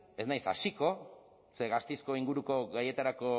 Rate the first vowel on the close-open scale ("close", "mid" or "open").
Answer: mid